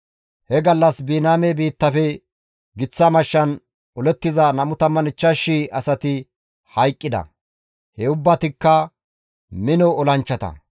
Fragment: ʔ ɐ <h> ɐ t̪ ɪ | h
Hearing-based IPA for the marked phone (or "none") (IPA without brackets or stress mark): s